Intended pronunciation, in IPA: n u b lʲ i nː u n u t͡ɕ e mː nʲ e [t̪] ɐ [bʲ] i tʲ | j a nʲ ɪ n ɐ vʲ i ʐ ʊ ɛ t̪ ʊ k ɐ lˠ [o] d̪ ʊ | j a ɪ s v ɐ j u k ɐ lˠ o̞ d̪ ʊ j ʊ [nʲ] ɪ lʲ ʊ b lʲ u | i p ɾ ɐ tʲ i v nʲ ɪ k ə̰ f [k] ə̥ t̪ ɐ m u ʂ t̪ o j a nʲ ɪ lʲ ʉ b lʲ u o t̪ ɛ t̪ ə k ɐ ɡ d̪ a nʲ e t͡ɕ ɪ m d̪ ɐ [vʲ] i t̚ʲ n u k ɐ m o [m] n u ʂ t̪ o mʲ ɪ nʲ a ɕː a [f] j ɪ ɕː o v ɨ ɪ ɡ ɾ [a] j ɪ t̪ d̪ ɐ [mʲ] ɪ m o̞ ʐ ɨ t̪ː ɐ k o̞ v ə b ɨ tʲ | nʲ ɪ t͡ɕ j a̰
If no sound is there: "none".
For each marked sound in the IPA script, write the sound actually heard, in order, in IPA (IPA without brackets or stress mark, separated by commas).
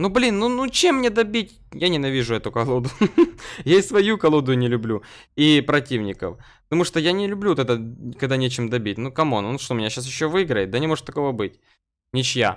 d̪, bʲ, o, nʲ, p, bʲ, n, s, ə, nʲ